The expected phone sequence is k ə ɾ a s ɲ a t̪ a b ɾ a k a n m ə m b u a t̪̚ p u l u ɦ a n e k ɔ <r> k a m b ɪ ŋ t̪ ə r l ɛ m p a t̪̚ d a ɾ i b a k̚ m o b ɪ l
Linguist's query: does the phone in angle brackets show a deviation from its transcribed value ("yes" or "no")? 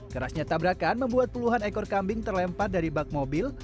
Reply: no